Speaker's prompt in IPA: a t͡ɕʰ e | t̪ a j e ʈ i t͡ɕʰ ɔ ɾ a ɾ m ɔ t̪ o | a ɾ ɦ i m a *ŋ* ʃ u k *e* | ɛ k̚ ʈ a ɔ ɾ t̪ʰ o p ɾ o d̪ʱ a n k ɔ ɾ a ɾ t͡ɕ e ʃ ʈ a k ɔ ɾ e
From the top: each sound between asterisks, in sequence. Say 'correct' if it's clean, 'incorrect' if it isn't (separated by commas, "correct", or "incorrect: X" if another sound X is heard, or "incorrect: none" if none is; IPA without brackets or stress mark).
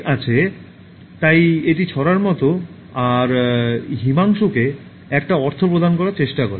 correct, correct